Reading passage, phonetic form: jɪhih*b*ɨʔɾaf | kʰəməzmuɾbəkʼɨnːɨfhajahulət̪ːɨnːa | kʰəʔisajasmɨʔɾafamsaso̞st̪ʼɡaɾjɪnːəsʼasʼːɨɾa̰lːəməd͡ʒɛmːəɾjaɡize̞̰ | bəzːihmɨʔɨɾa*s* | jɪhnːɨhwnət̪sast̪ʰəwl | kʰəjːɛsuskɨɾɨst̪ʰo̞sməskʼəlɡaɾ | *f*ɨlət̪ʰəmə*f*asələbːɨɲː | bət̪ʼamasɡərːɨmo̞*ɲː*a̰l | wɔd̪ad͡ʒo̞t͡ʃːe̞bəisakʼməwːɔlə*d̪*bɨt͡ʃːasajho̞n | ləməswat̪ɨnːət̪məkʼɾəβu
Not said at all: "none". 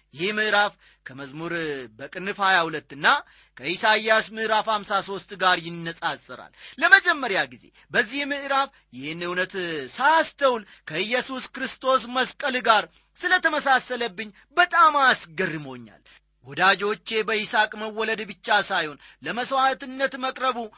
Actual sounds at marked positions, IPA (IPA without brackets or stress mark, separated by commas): m, f, s, s, ɲː, d̪